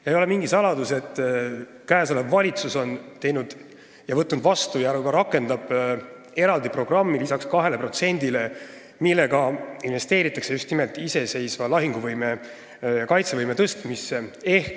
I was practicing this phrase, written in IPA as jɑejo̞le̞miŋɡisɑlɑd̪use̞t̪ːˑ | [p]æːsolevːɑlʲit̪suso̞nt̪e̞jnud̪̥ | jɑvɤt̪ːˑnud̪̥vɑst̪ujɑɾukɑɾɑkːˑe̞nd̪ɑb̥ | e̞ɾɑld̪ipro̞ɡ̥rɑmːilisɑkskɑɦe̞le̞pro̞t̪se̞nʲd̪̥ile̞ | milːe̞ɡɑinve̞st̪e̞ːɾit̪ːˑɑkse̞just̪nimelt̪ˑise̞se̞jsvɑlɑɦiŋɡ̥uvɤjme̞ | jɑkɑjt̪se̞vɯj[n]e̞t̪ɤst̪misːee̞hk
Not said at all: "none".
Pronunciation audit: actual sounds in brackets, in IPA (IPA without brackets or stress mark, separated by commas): k, m